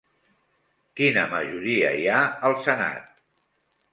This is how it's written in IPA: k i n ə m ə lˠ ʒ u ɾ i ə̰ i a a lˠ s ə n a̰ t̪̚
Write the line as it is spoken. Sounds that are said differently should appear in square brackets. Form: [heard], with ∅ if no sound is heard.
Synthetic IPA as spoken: k i n ə m ə [∅] ʒ u ɾ i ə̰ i a [ə] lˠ s ə n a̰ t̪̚